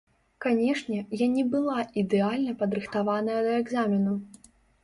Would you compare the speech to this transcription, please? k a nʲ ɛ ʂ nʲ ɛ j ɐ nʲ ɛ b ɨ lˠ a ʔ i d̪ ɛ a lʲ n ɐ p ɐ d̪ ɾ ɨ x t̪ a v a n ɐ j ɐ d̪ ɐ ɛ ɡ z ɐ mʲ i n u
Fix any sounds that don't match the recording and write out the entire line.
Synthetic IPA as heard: k a nʲ ɛ ʂ nʲ ɛ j a nʲ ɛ b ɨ lˠ a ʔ i d̪ ɛ a lʲ n ɐ p ɐ d̪ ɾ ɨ x t̪ a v a n ɐ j ɐ d̪ ɐ ɛ ɡ z a mʲ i n u

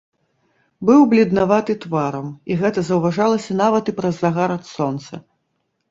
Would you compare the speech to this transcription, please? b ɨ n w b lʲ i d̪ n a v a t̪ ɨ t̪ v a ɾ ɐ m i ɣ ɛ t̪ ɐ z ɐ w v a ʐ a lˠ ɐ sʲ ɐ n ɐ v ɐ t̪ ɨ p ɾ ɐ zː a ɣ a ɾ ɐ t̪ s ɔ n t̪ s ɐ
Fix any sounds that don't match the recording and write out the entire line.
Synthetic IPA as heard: b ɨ w b lʲ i d̪ n a v a t̪ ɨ t̪ v a ɾ ɐ m i ɣ ɛ t̪ ɐ z ɐ w v a ʐ a lˠ ɐ sʲ ɐ n a v ɐ t̪ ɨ p ɾ ɐ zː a ɣ a ɾ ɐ t̪ s ɔ n t̪ s ɐ

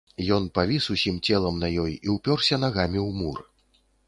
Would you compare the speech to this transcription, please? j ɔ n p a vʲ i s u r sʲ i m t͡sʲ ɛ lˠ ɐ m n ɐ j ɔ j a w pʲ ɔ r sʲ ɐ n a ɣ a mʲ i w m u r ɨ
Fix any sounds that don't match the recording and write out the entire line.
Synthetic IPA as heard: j ɔ n p a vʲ i s u sʲ i m t͡sʲ ɛ lˠ ɐ m n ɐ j ɔ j i w pʲ ɔ r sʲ ɐ n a ɣ a mʲ i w m u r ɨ

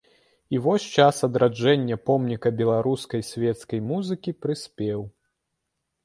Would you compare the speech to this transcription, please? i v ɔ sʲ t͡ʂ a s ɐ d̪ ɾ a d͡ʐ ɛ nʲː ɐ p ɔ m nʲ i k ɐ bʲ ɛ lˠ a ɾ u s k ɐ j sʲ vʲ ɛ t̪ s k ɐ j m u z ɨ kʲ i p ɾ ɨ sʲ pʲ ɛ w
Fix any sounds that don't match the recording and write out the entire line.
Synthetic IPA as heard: i v ɔ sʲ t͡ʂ a s ɐ d̪ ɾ a d͡ʐ ɛ nʲː ɐ p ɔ m nʲ i k ɐ bʲ ɛ lˠ a ɾ u s k ɐ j sʲ vʲ ɛ t̪ s k ɐ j m u z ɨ kʲ i p ɾ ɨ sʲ pʲ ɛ w

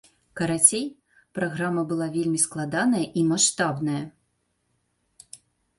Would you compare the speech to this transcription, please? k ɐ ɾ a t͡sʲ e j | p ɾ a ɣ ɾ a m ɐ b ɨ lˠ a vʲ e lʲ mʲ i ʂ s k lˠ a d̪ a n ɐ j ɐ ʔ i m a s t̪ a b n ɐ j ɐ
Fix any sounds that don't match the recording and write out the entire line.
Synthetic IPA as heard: k ɐ ɾ a t͡sʲ e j | p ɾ a ɣ ɾ a m ɐ b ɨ lˠ a vʲ e lʲ mʲ i s k lˠ a d̪ a n ɐ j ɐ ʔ i m a ʂ t̪ a b n ɐ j ɐ

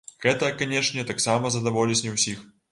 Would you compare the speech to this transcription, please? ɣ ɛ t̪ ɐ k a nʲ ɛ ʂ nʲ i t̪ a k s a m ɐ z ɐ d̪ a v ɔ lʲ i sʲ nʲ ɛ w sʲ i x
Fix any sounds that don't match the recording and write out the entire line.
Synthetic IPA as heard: ɣ ɛ t̪ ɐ k a nʲ ɛ ʂ nʲ ɛ t̪ a k s a m ɐ z ɐ d̪ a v ɔ lʲ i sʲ nʲ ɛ w sʲ i x

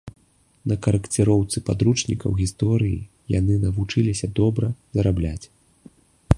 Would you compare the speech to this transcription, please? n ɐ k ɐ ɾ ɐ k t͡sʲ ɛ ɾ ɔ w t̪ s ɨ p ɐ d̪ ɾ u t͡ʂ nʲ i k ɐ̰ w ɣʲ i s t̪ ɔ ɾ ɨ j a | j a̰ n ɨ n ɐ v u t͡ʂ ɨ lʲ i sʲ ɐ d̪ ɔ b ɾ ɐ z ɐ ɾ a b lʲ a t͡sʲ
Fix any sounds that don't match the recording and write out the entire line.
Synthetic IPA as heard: n ɐ k ɐ ɾ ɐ k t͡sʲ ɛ ɾ ɔ w t̪ s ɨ p a d̪ ɾ u t͡ʂ nʲ i k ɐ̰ w ɣʲ i s t̪ ɔ ɾ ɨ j i | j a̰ n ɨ n ɐ v u t͡ʂ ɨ lʲ i sʲ ɐ d̪ ɔ b ɾ ɐ z ɐ ɾ a b lʲ a t͡sʲ

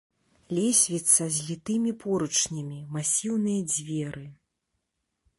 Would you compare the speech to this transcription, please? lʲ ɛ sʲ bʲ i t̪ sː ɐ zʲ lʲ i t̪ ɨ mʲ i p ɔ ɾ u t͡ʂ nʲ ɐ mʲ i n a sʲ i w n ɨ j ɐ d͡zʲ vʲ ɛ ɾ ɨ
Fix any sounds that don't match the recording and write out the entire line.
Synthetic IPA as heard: lʲ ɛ sʲ vʲ i t̪ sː ɐ zʲ lʲ i t̪ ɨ mʲ i p ɔ ɾ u t͡ʂ nʲ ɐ mʲ i m a sʲ i w n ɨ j ɐ d͡zʲ vʲ ɛ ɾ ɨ

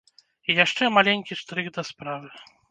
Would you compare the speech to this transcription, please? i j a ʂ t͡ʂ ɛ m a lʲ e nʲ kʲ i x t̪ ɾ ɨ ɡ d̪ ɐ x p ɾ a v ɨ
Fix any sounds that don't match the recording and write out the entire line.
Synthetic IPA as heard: i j a ʂ t͡ʂ ɛ m a lʲ e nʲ kʲ i ʂ t̪ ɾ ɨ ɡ d̪ ɐ s p ɾ a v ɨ

